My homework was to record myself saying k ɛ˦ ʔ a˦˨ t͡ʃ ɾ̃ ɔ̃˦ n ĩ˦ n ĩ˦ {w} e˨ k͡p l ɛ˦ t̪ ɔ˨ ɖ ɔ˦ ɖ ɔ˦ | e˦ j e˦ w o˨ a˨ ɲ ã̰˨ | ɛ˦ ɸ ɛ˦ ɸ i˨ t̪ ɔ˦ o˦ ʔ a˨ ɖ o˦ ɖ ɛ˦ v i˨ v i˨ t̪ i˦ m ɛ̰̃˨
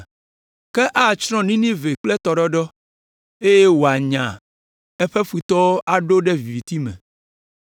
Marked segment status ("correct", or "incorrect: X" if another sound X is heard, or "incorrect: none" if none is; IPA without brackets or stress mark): incorrect: v